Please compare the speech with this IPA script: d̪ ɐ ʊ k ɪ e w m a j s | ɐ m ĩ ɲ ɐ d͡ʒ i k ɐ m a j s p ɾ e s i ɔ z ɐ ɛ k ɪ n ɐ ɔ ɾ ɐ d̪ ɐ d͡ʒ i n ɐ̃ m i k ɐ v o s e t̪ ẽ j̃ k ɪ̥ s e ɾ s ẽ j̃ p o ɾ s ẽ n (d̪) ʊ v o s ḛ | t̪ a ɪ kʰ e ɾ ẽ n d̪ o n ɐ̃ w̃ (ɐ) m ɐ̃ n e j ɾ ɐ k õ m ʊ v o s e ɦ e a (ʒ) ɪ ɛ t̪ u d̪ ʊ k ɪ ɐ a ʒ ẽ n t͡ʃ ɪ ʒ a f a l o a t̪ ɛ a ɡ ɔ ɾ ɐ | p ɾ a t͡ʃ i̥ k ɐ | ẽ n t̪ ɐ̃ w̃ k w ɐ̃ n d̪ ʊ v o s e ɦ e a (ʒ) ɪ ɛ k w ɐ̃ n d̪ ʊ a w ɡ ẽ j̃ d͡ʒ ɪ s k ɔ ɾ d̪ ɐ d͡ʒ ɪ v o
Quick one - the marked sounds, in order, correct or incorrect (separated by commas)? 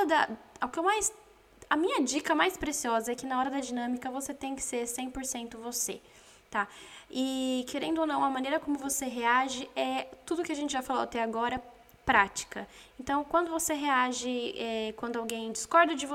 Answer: incorrect, correct, correct, correct